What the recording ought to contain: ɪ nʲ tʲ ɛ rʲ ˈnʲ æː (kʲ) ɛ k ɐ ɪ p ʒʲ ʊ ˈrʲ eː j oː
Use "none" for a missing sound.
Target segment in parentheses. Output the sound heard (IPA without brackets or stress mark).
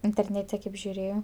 tʲ